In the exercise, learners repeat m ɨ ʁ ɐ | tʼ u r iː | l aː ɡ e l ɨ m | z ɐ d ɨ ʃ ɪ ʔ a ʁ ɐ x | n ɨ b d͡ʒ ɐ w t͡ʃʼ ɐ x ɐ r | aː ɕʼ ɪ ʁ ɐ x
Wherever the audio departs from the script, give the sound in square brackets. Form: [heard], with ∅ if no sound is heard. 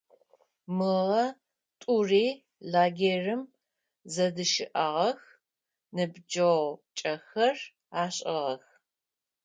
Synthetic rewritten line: m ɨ ʁ ɐ | tʼ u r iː | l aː ɡ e [r] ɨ m | z ɐ d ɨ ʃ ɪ ʔ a ʁ ɐ x | n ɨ b d͡ʒ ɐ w t͡ʃʼ ɐ x ɐ r | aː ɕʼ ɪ ʁ ɐ x